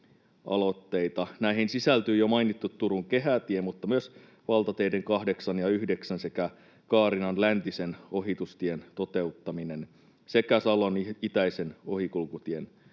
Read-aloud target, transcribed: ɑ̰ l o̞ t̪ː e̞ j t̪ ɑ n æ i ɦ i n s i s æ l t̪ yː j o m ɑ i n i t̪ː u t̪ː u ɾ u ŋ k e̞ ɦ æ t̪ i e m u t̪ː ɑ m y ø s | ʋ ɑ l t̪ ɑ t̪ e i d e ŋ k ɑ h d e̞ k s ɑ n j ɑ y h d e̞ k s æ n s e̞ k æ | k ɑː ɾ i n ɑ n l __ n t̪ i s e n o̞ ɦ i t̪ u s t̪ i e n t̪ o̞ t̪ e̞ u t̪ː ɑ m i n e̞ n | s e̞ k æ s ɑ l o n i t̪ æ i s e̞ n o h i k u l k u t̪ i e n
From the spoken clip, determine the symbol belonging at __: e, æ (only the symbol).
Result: æ